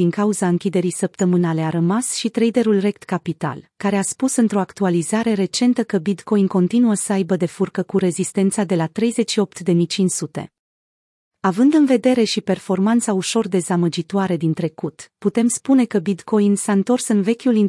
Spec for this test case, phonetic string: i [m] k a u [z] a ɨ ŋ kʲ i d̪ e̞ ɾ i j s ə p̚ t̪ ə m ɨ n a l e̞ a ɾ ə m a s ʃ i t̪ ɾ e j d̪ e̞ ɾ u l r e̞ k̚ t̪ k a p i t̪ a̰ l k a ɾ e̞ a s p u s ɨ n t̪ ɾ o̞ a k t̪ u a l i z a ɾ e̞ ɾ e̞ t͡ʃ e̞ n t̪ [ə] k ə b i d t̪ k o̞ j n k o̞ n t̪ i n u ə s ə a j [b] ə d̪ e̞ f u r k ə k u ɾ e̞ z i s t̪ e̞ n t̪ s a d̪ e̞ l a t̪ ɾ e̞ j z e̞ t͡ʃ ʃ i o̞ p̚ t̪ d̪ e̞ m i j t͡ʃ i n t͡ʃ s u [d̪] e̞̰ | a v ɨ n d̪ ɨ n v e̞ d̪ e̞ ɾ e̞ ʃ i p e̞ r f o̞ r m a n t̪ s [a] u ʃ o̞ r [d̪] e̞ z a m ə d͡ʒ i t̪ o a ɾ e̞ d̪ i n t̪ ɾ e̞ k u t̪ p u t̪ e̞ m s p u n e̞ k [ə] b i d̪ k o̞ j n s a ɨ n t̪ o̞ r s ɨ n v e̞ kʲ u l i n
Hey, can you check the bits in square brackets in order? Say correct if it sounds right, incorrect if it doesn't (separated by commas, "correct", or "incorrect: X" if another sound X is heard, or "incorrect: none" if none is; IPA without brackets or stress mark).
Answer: incorrect: ŋ, correct, correct, correct, incorrect: t̪, correct, correct, correct